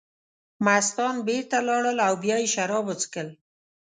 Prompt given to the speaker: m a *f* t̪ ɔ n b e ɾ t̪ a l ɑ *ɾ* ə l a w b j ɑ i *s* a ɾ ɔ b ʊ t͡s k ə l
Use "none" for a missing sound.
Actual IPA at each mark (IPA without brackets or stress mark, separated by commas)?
s, ɽ, ʃ